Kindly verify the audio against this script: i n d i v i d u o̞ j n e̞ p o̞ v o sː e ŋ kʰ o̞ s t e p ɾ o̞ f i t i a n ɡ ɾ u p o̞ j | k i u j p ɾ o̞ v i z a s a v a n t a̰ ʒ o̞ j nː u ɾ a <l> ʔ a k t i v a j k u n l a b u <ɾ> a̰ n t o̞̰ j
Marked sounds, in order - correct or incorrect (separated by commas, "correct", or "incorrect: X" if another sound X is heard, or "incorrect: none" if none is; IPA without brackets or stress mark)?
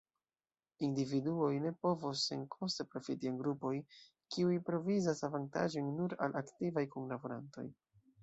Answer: correct, correct